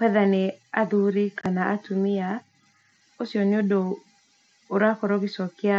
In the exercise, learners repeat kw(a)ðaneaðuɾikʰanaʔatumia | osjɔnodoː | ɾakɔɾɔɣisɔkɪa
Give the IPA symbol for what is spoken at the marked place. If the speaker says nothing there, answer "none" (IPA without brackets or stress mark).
ɛ